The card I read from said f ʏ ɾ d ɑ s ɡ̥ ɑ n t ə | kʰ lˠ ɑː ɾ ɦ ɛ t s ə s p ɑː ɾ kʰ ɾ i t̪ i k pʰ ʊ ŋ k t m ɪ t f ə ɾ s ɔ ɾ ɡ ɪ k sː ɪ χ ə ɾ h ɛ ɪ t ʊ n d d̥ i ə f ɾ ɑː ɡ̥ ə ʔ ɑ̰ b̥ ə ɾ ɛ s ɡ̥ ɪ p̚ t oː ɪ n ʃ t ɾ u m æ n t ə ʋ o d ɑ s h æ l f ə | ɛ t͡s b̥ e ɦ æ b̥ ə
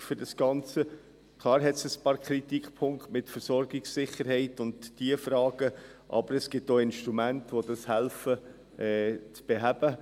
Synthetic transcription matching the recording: f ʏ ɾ d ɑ s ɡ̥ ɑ n t͡s ə | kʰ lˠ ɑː ɾ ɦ ɛ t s ə s p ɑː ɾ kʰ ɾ i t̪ i k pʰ ʊ ŋ k t m ɪ t f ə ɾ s ɔ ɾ ɡ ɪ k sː ɪ χ ə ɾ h ɛ ɪ t ʊ n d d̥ i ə f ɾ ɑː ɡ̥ ə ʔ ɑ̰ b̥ ə ɾ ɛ s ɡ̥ ɪ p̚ t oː ɪ n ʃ t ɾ u m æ n t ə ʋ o d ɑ s h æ l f ə | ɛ t͡s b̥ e ɦ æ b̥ ə